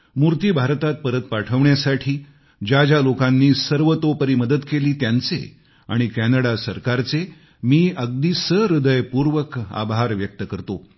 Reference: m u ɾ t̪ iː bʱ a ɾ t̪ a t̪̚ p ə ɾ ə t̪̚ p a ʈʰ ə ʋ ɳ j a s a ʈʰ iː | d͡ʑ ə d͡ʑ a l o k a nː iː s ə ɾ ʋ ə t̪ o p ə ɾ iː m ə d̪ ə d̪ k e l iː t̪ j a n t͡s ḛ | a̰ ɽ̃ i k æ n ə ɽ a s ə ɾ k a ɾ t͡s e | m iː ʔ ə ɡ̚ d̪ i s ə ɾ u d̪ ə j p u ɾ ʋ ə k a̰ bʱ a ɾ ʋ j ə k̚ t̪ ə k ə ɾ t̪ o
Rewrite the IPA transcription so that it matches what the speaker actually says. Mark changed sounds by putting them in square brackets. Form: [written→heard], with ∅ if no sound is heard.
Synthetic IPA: m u ɾ t̪ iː bʱ a ɾ t̪ a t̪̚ p ə ɾ ə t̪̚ p a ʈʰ ə ʋ ɳ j a s a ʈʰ iː | d͡ʑ [ə→a] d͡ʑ a l o k a nː iː s ə ɾ ʋ ə t̪ o p ə ɾ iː m ə d̪ ə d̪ k e l iː t̪ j a n t͡s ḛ | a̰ ɽ̃ i k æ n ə ɽ a s ə ɾ k a ɾ t͡s e | m iː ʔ ə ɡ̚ d̪ i s ə ɾ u d̪ ə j p u ɾ ʋ ə k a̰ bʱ a ɾ ʋ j ə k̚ t̪ ə k ə ɾ t̪ o

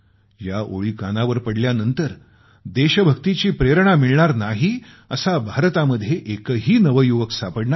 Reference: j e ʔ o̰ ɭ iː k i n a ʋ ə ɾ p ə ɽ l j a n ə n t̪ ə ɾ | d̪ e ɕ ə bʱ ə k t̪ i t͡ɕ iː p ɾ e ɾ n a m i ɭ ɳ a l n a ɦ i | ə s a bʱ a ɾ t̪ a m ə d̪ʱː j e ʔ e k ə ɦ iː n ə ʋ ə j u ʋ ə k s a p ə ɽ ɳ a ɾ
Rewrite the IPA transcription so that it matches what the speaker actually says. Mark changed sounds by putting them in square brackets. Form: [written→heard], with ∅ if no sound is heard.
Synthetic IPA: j [e→a] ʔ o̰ ɭ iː k [i→a] n a ʋ ə ɾ p ə ɽ l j a n ə n t̪ ə ɾ | d̪ e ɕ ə bʱ ə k t̪ i t͡ɕ iː p ɾ e ɾ [n→ɳ] a m i ɭ ɳ a [l→ɾ] n a ɦ i | ə s a bʱ a ɾ t̪ a m ə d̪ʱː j e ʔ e k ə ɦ iː n ə ʋ ə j u ʋ ə k s a p ə ɽ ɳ a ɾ

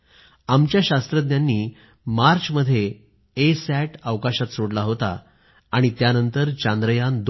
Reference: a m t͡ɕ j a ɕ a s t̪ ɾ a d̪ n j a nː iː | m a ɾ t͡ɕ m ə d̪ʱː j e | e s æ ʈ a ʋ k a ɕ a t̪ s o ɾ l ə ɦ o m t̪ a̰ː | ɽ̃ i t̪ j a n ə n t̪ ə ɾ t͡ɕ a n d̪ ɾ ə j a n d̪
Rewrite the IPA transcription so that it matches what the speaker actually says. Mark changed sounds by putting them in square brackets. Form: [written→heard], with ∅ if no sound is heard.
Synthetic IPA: a m t͡ɕ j a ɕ a s t̪ ɾ [a→ə] d̪ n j a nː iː | m a ɾ t͡ɕ m ə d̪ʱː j e | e s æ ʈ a ʋ k a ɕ a t̪ s o [ɾ→ɽ] l [ə→a] ɦ o [m→∅] t̪ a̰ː | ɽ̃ i t̪ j a n ə n t̪ ə ɾ t͡ɕ a n d̪ ɾ ə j a n d̪

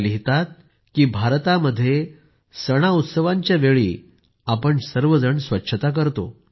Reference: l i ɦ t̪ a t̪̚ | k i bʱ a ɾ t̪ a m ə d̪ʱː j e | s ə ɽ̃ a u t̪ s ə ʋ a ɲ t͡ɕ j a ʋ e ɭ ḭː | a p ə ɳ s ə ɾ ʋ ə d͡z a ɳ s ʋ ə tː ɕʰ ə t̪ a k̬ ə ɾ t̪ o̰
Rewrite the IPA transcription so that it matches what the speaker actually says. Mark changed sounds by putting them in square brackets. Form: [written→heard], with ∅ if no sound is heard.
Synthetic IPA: l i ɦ t̪ a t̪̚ | k [i→iː] bʱ a ɾ t̪ a m ə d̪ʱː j e | s ə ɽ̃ a u t̪ s ə ʋ a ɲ t͡ɕ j a ʋ e ɭ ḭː | a p ə ɳ s ə ɾ ʋ ə d͡z [a→ə] ɳ s ʋ ə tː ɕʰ ə t̪ a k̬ ə ɾ t̪ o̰

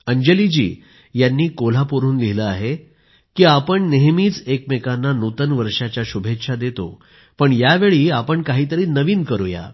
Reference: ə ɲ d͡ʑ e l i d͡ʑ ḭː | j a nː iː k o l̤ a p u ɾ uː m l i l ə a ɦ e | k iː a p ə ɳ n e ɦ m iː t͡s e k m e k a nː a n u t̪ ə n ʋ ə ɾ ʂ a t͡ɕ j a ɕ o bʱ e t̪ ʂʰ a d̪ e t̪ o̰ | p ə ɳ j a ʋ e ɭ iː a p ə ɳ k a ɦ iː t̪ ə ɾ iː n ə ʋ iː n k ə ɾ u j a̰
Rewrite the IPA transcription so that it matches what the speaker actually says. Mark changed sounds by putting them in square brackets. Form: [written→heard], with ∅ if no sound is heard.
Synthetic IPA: ə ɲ d͡ʑ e l i d͡ʑ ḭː | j a nː iː k o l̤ a p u ɾ uː [m→n] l i l ə a ɦ e | k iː a p ə ɳ n e ɦ m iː t͡s e k m e k a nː a n u t̪ ə n ʋ ə ɾ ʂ a t͡ɕ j a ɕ [o→u] bʱ e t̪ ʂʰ a d̪ e t̪ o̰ | p ə ɳ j a ʋ e ɭ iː a p ə ɳ k a ɦ iː t̪ ə ɾ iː n ə ʋ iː n k ə ɾ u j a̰

